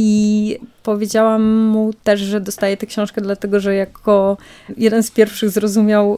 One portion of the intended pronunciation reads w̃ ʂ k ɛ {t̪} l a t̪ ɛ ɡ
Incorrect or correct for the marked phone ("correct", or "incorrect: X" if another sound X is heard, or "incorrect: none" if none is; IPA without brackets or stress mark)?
incorrect: d̪